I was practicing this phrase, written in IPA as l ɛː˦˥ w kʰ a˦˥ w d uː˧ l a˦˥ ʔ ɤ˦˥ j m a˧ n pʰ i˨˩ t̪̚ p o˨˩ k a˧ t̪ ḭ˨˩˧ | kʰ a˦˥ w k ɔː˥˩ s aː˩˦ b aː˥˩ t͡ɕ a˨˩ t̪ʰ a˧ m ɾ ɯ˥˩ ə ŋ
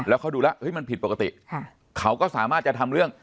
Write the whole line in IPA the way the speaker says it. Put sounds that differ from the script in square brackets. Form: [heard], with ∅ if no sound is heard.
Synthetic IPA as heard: l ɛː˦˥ w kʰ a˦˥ w d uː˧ l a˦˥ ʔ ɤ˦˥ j m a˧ n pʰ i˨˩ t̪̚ p o˨˩ k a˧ t̪ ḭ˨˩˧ | kʰ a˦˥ w k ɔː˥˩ s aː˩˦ [m] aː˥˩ t͡ɕ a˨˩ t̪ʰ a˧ m ɾ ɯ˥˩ ə ŋ